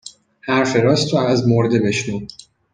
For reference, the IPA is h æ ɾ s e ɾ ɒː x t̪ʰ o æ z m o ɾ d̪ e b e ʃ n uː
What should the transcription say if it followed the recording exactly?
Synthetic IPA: h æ ɾ f e ɾ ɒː s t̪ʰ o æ z m o ɾ d̪ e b e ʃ n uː